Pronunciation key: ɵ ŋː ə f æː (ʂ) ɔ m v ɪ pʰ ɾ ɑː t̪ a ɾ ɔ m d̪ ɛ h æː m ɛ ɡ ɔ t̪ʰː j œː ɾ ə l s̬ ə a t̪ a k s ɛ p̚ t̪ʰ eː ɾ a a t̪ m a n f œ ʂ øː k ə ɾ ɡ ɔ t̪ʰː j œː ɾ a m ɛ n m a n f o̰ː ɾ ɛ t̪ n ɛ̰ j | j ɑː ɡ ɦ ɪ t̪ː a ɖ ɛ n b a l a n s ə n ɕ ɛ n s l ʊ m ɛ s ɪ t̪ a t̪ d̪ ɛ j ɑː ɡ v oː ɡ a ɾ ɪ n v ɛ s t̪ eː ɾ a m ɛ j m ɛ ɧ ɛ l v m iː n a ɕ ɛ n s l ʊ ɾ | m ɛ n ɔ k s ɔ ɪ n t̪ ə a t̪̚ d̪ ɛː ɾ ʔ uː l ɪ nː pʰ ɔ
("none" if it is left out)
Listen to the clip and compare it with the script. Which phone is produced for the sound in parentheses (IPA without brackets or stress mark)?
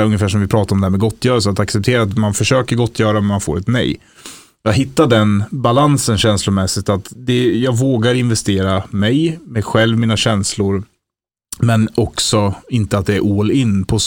ʂ